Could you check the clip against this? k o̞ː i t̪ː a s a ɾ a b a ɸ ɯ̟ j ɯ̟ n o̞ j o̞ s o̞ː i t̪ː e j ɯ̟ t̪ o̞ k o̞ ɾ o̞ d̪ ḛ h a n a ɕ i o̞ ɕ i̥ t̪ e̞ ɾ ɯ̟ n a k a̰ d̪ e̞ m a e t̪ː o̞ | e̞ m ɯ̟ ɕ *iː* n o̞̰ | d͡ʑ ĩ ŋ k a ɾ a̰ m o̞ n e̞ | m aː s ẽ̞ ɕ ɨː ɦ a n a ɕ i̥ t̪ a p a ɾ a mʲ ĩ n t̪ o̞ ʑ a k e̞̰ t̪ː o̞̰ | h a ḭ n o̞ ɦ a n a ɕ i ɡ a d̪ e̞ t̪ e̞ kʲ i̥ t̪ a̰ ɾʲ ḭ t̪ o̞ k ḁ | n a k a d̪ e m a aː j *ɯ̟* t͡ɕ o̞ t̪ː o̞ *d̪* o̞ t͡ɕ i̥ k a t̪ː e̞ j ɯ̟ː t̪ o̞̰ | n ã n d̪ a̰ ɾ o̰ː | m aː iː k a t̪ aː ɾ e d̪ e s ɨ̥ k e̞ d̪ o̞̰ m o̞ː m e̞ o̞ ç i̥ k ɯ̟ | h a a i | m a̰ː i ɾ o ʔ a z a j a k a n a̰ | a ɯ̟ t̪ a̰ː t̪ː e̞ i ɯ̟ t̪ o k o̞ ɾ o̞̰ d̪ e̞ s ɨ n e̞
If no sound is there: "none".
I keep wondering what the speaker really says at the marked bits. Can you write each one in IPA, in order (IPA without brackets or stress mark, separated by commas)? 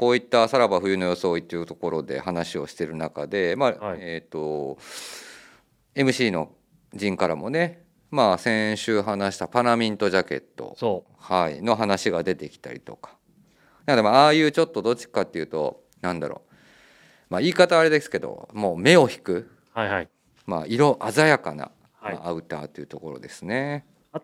iː, ɯ̟ː, d̪